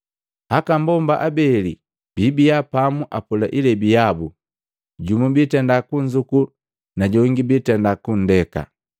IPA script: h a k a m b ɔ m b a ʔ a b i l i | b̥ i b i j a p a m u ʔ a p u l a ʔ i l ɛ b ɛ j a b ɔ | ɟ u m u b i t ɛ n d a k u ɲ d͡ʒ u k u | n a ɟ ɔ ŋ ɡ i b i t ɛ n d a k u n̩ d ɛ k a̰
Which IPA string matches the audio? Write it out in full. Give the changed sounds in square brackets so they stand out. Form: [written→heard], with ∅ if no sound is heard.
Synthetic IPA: h a k a m b ɔ m b a ʔ a b [i→ɛ] l i | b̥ i b i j a p a m u ʔ a p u l a ʔ i l ɛ b [ɛ→i] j a b [ɔ→u] | ɟ u m u b i t ɛ n d a k u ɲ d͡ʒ u k u | n a ɟ ɔ ŋ ɡ i b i t ɛ n d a k u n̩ d ɛ k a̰